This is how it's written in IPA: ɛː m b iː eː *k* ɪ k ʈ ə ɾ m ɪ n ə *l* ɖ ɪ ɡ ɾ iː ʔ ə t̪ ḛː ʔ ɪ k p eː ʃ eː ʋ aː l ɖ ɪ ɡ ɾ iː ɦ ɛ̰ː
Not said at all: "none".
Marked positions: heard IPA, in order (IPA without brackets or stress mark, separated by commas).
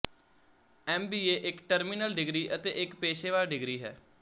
ʔ, l